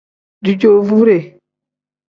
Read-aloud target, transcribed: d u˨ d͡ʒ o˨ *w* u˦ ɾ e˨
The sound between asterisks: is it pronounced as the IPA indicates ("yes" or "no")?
no